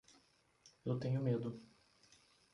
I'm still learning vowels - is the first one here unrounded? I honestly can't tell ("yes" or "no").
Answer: yes